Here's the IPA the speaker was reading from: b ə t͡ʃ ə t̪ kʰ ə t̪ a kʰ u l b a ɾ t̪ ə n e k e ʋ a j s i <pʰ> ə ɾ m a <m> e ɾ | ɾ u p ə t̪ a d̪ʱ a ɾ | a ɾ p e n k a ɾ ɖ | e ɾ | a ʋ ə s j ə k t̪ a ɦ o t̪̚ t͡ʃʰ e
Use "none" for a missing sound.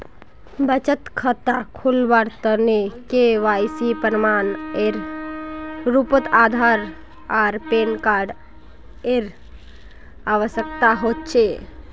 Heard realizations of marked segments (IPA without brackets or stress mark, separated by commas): p, n